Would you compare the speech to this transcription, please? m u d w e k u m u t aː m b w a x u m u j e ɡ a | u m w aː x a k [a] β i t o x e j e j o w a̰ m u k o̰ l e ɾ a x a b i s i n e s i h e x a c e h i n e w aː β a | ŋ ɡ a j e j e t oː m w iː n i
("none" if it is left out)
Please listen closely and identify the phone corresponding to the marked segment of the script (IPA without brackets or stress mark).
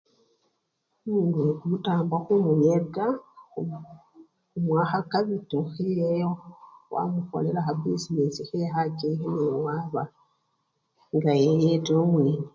a